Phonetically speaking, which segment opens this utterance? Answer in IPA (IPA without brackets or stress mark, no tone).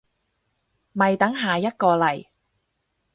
m